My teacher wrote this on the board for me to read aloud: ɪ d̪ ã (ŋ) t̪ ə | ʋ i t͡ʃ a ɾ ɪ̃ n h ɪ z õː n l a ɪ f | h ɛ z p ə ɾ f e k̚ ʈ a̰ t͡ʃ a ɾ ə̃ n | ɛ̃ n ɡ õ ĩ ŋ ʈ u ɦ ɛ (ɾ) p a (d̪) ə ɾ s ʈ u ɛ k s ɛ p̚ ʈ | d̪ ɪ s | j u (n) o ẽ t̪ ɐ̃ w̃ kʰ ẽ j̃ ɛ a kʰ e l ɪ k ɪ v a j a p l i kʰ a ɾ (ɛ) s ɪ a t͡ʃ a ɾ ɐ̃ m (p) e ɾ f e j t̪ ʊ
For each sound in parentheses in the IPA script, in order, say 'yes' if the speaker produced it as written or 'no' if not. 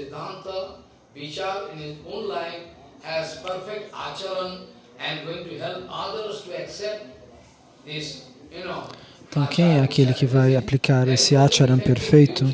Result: no, no, yes, yes, no, yes

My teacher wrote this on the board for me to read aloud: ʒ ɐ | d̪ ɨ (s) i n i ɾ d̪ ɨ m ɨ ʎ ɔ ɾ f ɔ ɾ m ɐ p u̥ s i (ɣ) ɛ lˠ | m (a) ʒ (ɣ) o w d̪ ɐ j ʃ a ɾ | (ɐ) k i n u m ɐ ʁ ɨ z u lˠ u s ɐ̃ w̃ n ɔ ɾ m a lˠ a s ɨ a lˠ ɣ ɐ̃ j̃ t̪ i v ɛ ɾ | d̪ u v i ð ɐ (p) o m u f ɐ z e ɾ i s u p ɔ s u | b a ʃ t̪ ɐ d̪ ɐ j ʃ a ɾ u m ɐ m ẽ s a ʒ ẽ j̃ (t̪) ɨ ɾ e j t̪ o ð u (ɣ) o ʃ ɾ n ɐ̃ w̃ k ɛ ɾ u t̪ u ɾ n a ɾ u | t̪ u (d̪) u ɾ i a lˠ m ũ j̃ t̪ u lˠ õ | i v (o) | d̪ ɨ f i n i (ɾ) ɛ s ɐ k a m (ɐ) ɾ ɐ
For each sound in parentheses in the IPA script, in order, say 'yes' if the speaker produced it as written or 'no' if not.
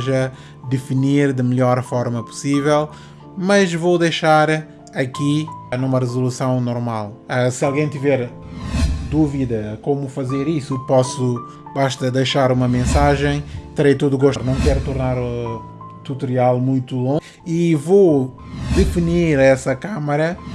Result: no, no, no, no, yes, no, yes, yes, no, yes, yes, yes

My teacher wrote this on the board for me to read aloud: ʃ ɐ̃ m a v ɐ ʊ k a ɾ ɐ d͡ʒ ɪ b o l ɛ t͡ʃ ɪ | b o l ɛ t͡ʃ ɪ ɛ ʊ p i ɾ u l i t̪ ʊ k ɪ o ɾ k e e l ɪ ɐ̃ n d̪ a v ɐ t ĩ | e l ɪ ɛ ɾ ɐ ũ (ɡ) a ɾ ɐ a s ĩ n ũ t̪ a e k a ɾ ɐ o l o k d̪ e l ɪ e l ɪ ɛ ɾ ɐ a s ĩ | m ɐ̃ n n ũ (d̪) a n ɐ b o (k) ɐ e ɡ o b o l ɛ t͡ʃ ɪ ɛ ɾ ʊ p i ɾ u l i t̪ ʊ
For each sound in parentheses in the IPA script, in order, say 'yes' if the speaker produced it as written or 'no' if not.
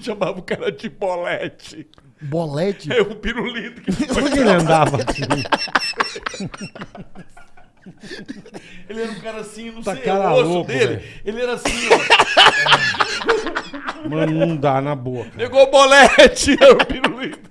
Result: no, yes, yes

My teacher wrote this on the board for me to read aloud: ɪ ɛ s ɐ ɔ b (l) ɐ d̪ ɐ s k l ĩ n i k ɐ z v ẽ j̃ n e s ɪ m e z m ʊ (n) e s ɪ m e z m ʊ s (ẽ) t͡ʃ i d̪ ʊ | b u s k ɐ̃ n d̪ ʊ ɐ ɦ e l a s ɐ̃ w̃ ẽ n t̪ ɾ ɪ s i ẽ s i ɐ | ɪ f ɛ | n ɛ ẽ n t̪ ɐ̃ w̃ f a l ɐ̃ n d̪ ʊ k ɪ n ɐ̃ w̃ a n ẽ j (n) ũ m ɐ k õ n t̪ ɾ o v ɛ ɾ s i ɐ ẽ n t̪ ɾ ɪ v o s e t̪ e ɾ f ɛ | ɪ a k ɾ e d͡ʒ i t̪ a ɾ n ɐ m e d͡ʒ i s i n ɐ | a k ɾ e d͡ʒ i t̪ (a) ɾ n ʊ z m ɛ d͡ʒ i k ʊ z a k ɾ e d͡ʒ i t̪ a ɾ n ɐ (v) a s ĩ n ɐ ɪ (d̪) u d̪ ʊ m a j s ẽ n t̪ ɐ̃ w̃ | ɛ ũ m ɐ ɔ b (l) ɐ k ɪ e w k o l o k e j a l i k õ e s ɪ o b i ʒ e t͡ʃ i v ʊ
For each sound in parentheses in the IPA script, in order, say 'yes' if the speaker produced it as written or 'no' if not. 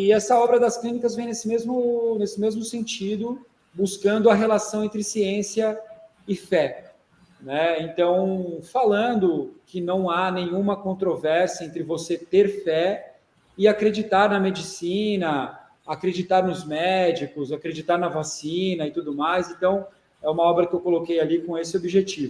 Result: no, yes, yes, no, yes, yes, no, no

